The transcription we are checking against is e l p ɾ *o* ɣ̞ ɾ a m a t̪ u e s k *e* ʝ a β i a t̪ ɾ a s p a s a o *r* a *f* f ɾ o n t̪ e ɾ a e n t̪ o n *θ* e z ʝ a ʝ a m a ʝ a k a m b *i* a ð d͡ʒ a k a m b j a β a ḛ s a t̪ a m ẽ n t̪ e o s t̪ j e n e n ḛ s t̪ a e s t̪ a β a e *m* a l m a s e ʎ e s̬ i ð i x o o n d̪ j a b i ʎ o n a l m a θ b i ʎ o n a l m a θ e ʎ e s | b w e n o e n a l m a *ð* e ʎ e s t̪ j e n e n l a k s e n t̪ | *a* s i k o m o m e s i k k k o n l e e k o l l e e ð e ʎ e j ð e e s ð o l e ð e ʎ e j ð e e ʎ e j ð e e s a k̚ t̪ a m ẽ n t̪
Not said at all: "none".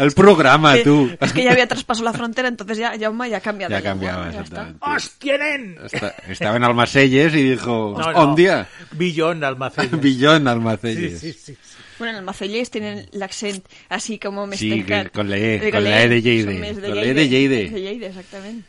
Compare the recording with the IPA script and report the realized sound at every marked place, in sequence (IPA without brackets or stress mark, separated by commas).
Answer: o, e, l, f, θ, j, n, θ, a